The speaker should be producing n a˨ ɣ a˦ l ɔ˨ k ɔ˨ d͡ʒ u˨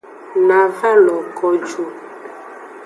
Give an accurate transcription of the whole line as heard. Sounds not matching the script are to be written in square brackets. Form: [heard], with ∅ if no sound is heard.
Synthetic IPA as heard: n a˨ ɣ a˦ l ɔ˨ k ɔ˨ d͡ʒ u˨